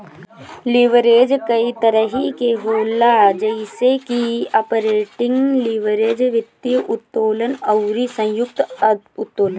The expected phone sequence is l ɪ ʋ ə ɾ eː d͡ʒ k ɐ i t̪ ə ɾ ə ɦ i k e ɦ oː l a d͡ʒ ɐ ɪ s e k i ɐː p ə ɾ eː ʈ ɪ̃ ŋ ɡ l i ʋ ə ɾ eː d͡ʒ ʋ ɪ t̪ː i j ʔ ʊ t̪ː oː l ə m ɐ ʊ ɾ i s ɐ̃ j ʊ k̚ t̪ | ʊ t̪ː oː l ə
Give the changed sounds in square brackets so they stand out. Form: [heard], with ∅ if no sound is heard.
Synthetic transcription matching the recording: l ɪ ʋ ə ɾ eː d͡ʒ k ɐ i t̪ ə ɾ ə ɦ i k e ɦ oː l a d͡ʒ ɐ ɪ s e k i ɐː p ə ɾ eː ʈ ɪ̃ ŋ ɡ l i ʋ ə ɾ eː d͡ʒ ʋ ɪ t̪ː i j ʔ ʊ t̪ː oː l ə [n] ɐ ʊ ɾ i s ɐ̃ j ʊ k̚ t̪ | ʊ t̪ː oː l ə